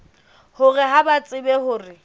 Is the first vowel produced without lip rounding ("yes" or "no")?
no